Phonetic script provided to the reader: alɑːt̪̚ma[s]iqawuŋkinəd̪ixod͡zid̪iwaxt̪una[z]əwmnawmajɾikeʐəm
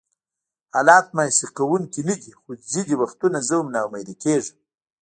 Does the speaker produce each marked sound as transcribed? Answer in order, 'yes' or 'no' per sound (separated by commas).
yes, yes